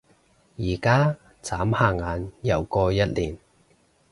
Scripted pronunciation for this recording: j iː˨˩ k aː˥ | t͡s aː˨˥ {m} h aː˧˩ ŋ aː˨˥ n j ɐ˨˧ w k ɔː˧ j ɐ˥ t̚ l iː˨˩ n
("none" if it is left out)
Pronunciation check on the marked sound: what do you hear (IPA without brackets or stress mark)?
m